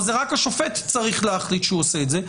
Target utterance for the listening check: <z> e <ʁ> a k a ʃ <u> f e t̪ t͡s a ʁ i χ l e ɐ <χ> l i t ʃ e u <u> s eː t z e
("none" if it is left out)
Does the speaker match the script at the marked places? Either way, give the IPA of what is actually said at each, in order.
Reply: z, ʁ, o, χ, o

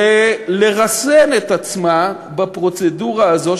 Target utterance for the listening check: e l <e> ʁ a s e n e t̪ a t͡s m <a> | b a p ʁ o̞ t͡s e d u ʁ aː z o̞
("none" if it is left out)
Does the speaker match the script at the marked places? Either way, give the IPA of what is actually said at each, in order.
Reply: e, a

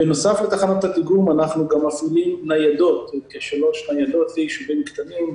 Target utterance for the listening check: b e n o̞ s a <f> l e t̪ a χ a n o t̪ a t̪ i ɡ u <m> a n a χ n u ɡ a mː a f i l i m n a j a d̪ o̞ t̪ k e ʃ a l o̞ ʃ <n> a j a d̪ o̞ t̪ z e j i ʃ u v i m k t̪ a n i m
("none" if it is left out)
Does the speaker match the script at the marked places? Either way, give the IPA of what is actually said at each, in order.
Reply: f, m, n

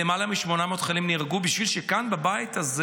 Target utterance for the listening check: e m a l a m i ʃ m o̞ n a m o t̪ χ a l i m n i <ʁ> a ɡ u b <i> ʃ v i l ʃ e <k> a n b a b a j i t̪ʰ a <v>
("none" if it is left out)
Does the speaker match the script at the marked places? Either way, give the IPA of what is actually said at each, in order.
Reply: ʁ, i, k, z

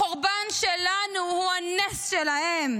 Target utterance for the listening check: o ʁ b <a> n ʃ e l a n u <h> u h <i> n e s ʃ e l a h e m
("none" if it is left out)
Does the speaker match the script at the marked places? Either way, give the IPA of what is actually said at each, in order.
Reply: a, h, a

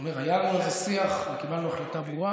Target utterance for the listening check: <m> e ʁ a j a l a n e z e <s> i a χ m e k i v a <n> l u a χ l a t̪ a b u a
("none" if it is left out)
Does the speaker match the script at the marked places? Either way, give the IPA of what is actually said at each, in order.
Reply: m, s, n

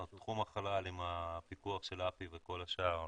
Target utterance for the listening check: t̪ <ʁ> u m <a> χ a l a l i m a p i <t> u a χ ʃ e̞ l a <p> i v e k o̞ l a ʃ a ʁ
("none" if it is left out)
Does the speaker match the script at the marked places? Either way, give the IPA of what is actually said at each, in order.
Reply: χ, a, k, p

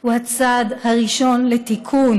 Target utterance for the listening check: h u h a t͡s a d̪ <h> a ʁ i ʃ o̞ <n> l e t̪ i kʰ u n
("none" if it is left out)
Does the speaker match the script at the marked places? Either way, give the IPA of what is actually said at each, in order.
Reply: h, n

